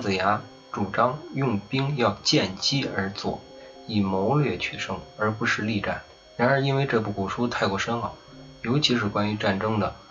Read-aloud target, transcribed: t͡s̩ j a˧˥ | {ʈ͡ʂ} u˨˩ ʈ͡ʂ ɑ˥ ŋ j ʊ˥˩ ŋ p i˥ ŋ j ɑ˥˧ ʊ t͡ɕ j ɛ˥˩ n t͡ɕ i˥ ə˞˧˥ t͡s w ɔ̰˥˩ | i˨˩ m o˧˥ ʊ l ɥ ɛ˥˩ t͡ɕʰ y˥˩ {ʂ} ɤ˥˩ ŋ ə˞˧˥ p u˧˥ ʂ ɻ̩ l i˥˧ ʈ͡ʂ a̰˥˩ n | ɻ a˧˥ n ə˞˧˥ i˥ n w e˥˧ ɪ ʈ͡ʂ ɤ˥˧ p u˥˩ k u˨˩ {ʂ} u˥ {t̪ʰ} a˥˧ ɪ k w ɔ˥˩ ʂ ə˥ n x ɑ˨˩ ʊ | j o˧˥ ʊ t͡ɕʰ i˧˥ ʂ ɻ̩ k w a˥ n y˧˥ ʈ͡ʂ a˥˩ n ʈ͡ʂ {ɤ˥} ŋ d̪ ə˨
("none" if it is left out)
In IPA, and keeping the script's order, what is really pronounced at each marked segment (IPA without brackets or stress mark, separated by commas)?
ʈ͡ʂ, ʂ, ʂ, t̪ʰ, ɤ˥